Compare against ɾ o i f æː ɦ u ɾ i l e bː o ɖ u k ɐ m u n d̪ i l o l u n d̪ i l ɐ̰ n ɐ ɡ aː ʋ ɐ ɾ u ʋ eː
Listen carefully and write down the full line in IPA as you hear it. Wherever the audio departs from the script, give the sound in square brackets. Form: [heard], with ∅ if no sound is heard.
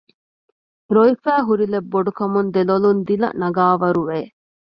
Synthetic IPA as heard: ɾ o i f æː ɦ u ɾ i l e bː o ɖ u k ɐ m u n d̪ [e] l o l u n d̪ i l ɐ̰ n ɐ ɡ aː ʋ ɐ ɾ u ʋ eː